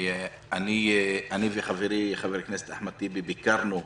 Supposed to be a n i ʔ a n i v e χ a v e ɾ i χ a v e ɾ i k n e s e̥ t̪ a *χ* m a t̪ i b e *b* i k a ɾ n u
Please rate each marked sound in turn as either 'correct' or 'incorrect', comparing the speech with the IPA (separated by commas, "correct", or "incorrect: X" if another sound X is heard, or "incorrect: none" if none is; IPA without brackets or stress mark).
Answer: incorrect: ħ, correct